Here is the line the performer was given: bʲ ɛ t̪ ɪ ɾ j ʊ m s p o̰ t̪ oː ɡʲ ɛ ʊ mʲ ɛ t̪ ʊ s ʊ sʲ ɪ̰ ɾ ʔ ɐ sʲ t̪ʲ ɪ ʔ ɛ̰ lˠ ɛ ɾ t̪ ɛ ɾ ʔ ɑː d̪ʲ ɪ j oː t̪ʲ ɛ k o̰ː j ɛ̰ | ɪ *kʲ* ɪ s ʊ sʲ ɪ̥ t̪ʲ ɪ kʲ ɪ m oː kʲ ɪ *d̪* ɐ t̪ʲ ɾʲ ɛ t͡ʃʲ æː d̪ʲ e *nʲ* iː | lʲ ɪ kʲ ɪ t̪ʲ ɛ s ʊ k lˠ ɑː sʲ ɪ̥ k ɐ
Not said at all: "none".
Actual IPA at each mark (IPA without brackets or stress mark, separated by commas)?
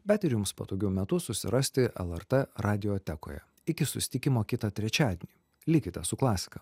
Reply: kʲ, t̪, nʲ